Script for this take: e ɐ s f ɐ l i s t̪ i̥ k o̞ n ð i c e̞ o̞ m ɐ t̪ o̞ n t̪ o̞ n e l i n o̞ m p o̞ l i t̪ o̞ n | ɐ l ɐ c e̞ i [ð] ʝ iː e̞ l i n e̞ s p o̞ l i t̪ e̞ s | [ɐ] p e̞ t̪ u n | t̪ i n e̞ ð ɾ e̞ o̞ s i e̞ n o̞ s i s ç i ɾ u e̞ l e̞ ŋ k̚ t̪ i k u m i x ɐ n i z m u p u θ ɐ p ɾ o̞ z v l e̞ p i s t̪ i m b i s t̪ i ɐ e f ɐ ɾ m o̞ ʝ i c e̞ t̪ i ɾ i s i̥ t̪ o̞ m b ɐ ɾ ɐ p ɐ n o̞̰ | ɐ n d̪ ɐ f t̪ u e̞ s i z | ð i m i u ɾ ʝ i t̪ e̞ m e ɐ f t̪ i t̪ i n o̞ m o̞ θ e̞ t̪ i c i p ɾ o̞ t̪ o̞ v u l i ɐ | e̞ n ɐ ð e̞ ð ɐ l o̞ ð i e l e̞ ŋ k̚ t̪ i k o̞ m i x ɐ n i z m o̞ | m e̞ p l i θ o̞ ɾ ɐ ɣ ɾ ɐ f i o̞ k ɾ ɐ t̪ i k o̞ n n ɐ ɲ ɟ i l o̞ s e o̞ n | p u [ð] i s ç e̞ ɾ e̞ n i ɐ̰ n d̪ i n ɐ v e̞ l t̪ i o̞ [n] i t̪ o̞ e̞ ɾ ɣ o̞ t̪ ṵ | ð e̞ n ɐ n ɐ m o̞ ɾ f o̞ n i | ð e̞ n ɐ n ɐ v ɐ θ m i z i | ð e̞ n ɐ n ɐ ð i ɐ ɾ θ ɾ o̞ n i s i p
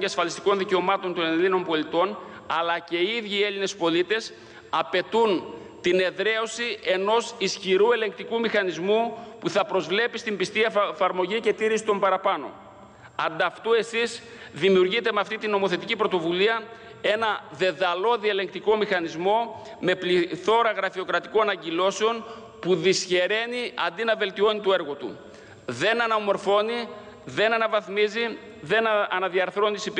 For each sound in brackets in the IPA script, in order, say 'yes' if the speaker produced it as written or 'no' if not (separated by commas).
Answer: yes, yes, yes, yes